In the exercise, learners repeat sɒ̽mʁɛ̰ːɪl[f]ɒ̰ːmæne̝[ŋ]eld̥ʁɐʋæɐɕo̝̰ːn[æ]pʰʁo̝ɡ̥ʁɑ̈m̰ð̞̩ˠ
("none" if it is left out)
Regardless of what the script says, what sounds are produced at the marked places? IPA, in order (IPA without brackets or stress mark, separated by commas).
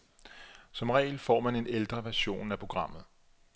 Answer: f, n, æ